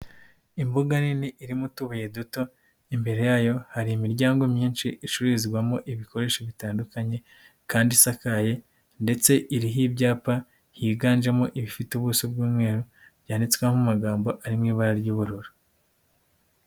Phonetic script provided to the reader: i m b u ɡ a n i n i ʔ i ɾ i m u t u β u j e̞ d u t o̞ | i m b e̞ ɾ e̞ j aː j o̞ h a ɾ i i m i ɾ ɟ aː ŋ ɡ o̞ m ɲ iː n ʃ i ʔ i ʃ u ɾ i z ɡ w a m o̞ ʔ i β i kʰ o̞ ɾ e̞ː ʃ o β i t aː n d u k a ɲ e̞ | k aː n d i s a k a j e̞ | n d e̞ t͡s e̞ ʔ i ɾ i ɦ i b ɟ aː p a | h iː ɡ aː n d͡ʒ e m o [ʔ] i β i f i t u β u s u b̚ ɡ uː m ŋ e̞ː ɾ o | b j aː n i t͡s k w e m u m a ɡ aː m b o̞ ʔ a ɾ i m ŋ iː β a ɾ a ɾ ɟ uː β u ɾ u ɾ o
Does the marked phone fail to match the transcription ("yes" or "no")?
no